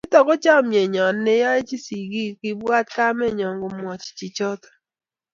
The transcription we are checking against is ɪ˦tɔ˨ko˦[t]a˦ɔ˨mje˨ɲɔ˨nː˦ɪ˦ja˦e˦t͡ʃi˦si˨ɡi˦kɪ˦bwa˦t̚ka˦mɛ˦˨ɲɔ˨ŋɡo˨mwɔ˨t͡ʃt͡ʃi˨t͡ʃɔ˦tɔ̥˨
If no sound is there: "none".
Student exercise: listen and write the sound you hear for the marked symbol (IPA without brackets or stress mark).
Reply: t͡ʃ